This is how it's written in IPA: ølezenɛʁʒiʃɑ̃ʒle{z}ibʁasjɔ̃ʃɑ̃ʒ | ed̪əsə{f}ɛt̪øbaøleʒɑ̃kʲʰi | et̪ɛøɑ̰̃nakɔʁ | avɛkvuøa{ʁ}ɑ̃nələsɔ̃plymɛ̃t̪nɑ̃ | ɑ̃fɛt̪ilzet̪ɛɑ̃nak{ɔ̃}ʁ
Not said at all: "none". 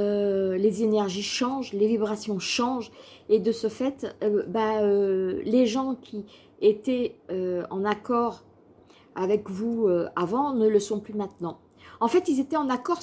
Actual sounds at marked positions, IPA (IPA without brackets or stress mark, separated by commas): v, f, v, ɔ